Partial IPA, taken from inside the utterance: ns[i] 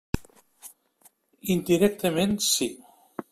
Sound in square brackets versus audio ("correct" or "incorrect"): correct